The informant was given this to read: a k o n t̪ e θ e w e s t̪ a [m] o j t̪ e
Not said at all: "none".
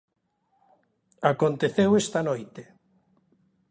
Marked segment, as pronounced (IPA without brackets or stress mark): n